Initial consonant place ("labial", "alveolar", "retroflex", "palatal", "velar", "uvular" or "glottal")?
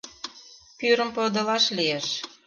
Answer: labial